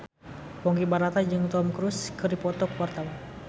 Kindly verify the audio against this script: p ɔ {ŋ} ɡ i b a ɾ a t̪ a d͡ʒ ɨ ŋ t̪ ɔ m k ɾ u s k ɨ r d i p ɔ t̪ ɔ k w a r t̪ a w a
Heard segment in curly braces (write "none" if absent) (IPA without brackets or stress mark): ŋ